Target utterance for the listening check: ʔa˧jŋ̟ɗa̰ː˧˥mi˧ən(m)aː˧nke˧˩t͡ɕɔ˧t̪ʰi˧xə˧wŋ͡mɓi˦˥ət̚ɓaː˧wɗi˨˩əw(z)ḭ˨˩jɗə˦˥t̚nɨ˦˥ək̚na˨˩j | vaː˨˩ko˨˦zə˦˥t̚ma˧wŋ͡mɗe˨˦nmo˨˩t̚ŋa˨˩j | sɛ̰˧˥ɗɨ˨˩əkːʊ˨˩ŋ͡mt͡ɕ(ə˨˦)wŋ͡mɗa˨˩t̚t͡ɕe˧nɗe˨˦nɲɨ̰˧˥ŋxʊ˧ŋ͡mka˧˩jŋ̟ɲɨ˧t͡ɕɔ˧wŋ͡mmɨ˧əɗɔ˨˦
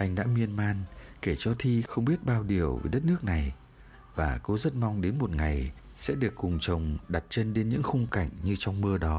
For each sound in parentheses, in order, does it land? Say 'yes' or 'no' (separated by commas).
yes, no, no